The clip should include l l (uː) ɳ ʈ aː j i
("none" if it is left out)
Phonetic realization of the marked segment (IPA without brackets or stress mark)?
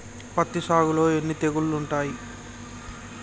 u